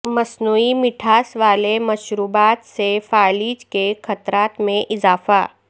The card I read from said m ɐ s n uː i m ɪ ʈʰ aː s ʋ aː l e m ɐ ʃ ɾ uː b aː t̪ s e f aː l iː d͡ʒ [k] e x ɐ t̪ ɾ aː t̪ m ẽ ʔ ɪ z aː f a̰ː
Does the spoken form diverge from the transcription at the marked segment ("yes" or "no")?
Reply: no